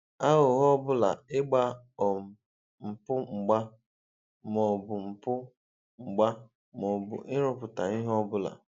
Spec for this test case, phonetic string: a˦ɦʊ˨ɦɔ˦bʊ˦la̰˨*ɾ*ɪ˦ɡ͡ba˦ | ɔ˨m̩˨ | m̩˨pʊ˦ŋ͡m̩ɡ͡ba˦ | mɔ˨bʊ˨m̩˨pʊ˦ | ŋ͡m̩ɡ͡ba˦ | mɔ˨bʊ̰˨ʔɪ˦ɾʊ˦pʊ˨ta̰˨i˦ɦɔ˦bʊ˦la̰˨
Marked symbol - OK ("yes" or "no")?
no